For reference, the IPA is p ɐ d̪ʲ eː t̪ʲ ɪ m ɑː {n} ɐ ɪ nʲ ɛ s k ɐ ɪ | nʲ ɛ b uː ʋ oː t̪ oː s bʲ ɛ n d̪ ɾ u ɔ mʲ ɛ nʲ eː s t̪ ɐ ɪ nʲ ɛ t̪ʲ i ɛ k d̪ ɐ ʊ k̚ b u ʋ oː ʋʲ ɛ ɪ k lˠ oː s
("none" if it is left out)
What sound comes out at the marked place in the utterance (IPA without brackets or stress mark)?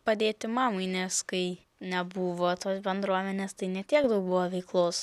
m